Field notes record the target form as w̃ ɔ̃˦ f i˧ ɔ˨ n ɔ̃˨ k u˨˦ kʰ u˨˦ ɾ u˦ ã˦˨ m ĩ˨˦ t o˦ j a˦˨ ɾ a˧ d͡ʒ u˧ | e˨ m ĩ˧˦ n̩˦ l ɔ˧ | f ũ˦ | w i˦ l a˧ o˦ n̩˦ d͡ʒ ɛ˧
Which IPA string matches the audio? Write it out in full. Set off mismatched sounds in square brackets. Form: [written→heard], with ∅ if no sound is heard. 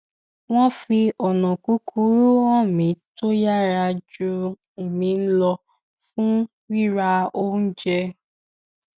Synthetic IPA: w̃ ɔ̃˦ f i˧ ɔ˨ n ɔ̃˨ k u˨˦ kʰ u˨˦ ɾ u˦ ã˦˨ m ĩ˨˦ t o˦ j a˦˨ ɾ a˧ d͡ʒ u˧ | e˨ m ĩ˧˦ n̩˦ l ɔ˧ | f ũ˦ | w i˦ [l→ɾ] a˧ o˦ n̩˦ d͡ʒ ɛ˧